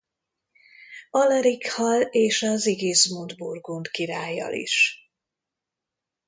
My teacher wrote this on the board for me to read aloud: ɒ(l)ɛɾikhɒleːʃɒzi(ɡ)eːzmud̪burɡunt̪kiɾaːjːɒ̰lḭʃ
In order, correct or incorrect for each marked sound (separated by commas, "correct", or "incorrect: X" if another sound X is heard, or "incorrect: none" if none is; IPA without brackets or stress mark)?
correct, correct